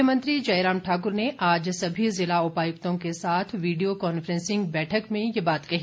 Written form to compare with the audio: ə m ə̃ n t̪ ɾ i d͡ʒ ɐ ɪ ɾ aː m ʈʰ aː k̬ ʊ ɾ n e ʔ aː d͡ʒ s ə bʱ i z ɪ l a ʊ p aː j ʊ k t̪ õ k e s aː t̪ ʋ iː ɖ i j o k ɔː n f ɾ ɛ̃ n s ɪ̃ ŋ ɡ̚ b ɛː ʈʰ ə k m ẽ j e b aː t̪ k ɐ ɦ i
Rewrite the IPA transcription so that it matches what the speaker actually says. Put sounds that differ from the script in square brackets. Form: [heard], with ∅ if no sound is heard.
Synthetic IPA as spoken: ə m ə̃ n t̪ ɾ i d͡ʒ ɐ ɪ ɾ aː m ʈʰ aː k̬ ʊ ɾ n e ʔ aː d͡ʒ s [ɐ] bʱ i z ɪ l a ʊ p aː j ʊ k t̪ õ k e s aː [t̪ʰ] ʋ iː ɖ i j o k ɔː n f ɾ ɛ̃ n s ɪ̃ ŋ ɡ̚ b ɛː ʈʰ ə k m ẽ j e b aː t̪ k ɐ ɦ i